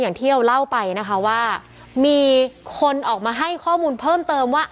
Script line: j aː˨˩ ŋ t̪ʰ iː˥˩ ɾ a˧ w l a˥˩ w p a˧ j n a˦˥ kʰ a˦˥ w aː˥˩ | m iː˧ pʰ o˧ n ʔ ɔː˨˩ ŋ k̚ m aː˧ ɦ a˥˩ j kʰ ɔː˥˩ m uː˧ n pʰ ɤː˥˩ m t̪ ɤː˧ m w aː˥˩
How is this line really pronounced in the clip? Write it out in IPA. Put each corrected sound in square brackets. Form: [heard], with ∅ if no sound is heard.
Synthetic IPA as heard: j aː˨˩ ŋ t̪ʰ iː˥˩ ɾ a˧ w l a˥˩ w p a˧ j n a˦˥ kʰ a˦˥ w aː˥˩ | m iː˧ [kʰ] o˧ n ʔ ɔː˨˩ [∅] k̚ m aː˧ ɦ a˥˩ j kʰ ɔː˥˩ m uː˧ n pʰ ɤː˥˩ m t̪ ɤː˧ m w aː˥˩